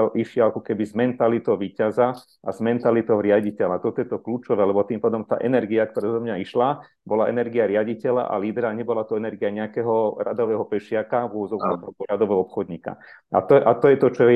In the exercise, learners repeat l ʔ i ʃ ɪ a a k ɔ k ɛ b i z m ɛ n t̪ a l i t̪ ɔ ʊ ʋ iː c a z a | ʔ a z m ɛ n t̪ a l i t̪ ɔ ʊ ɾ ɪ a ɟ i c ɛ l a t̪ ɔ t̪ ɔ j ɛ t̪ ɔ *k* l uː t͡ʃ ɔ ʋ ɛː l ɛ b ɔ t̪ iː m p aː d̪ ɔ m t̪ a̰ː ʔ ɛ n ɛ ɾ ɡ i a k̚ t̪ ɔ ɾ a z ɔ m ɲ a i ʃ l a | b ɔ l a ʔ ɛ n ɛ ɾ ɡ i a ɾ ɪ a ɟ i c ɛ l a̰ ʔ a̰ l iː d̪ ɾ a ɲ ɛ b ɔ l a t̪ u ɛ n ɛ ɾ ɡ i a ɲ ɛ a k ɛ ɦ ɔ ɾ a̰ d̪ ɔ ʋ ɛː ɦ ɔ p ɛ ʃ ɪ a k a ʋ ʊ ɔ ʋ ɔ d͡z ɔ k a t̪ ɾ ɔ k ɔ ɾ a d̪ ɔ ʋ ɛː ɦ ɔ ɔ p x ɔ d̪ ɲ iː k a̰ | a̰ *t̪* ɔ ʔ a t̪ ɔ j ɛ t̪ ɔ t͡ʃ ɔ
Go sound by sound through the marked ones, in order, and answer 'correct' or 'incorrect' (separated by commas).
correct, correct